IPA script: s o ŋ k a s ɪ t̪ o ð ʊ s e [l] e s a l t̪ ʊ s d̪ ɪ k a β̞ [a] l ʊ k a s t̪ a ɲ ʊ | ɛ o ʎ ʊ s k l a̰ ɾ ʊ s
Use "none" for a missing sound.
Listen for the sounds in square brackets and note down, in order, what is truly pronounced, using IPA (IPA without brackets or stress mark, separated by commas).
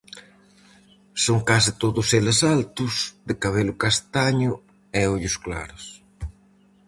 l, e